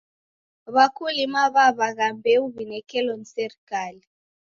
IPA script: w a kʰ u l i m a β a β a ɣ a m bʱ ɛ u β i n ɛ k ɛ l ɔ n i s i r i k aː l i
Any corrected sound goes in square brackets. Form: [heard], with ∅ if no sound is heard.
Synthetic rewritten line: [β] a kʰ u l i m a β a β a ɣ a m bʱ ɛ u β i n ɛ k ɛ l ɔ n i s [ɛ] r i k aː l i